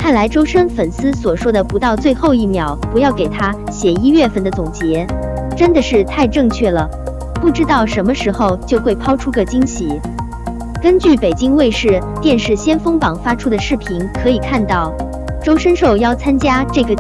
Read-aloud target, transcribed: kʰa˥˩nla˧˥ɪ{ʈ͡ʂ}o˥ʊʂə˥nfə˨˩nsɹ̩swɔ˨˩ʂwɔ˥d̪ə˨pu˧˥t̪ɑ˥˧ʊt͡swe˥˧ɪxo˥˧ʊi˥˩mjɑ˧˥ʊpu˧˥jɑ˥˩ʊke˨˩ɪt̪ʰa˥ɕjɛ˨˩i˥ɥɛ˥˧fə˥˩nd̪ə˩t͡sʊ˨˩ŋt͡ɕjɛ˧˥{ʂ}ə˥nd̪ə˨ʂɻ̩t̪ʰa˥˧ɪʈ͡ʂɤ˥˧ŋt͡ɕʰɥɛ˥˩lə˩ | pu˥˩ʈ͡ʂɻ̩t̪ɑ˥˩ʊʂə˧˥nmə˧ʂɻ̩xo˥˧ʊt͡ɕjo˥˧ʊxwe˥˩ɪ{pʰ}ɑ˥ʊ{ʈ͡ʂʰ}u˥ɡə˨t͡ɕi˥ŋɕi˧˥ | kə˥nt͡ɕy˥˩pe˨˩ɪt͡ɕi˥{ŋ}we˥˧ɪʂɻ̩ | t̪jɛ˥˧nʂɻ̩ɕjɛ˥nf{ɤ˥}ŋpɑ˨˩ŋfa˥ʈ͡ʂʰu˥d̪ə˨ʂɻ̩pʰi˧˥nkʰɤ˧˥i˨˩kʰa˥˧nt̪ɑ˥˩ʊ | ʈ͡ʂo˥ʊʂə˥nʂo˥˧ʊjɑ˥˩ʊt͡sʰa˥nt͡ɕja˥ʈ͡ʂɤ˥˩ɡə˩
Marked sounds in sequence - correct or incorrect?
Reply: correct, incorrect, correct, correct, correct, correct

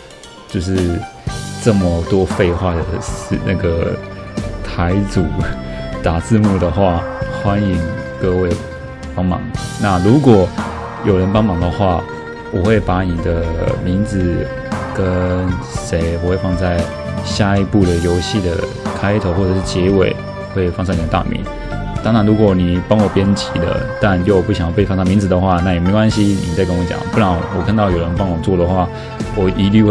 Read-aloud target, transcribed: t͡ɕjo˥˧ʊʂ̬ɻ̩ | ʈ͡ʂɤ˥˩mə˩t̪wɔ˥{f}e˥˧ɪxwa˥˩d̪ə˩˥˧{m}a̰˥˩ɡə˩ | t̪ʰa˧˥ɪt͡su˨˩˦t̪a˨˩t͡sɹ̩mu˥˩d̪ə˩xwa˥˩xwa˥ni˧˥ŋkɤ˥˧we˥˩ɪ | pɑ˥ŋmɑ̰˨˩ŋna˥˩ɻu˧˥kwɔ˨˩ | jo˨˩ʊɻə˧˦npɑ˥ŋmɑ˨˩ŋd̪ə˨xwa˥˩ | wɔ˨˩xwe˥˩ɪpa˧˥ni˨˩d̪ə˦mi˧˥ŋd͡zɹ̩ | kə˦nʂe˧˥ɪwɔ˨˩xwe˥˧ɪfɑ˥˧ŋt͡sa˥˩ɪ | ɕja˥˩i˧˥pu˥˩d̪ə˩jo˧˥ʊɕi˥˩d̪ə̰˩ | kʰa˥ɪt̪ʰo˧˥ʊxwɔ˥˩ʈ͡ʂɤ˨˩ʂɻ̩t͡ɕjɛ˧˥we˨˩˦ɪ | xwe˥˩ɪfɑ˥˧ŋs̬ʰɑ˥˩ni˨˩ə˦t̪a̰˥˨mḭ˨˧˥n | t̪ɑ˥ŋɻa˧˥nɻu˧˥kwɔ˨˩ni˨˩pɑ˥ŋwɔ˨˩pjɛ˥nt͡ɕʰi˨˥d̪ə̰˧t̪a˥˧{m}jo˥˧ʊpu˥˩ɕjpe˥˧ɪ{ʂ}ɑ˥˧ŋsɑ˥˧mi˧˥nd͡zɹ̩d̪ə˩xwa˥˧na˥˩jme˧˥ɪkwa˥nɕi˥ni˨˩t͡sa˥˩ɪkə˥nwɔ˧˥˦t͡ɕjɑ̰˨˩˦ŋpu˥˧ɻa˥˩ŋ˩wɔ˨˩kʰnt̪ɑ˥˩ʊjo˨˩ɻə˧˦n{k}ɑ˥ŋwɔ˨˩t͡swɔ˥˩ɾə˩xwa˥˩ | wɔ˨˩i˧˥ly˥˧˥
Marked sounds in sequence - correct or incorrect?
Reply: correct, incorrect, incorrect, incorrect, incorrect

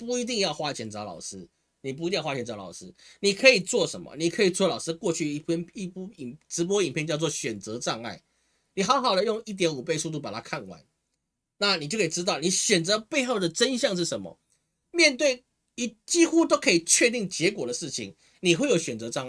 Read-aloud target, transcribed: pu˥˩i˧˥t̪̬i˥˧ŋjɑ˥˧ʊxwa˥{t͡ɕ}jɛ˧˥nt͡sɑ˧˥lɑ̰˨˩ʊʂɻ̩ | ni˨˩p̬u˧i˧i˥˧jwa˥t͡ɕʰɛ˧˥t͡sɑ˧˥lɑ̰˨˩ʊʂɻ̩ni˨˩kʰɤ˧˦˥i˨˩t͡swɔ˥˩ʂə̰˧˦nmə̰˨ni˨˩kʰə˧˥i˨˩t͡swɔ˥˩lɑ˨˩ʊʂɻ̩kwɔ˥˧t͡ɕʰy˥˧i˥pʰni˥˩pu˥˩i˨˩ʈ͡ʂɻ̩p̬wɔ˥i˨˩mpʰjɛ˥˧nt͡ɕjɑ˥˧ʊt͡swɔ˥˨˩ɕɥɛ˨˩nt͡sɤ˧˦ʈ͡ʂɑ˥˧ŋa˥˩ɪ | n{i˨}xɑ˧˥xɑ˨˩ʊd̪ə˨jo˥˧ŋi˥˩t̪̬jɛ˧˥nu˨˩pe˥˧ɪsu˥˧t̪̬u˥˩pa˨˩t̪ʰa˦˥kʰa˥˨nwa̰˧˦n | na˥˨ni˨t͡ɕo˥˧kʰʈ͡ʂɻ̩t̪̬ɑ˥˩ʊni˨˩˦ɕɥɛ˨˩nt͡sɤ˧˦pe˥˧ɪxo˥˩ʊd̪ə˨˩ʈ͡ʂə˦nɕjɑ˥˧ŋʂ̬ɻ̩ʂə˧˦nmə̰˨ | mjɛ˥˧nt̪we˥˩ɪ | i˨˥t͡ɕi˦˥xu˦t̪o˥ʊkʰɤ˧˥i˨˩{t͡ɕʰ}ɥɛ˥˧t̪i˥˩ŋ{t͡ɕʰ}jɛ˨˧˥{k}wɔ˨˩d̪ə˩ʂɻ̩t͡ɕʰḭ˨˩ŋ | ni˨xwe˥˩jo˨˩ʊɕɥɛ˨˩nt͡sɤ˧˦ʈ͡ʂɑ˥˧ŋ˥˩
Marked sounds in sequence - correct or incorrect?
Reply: incorrect, correct, correct, incorrect, correct

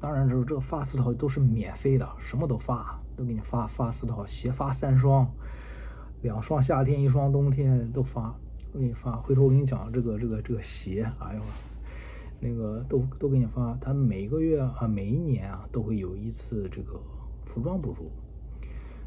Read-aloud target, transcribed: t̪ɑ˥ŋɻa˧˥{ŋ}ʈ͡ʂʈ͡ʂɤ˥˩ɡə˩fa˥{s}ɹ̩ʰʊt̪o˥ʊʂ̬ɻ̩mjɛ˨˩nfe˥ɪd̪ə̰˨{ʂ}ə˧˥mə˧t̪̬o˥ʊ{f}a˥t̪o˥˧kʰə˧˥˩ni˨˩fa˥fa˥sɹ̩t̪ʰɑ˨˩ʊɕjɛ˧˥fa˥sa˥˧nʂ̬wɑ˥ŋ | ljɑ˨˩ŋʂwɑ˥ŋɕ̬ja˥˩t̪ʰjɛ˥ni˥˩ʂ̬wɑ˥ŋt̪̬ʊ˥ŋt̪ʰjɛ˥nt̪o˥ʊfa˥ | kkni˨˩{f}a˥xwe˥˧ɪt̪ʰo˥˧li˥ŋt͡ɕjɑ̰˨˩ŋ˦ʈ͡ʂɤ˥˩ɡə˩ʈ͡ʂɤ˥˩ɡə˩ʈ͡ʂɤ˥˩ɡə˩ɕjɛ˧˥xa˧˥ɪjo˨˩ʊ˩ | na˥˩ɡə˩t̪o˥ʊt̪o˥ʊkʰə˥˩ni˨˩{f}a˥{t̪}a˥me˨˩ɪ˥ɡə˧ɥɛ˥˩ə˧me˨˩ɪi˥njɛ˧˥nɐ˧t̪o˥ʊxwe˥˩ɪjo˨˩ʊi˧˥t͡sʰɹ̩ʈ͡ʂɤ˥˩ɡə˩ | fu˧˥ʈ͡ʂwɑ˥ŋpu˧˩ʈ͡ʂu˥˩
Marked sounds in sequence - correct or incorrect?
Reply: incorrect, correct, correct, correct, correct, correct, incorrect

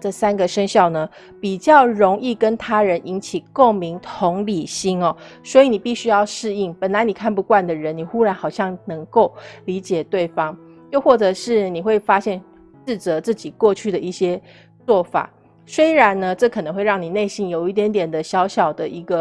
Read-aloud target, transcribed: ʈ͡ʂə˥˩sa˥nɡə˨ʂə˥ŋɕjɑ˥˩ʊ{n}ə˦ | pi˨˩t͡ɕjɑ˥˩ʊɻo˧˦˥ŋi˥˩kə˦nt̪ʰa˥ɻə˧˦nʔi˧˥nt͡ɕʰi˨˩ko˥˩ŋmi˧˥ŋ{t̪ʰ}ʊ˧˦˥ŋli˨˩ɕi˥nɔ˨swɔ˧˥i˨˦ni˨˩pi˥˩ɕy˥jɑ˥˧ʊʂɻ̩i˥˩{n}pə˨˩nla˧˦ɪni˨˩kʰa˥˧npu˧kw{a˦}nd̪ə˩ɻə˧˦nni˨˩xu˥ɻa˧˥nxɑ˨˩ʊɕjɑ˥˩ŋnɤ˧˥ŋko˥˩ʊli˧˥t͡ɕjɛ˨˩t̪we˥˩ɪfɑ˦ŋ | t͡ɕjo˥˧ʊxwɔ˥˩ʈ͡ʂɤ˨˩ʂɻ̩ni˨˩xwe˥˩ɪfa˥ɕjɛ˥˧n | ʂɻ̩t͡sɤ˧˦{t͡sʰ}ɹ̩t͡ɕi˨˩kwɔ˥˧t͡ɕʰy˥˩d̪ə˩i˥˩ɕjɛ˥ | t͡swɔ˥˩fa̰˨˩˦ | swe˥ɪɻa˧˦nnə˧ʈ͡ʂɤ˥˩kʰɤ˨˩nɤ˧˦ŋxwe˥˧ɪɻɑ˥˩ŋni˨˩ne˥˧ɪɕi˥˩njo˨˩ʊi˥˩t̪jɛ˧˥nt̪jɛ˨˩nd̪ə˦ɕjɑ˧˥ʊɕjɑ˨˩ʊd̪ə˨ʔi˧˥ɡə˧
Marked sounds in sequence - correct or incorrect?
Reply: correct, correct, incorrect, incorrect, incorrect

